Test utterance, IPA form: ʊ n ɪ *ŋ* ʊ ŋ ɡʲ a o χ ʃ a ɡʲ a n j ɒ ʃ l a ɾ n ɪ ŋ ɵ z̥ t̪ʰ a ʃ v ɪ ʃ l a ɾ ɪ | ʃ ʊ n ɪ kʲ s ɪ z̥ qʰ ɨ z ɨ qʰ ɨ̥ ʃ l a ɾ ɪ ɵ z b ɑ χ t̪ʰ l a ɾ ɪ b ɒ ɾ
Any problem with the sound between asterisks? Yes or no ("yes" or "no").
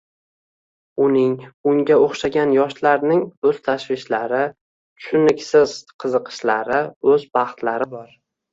no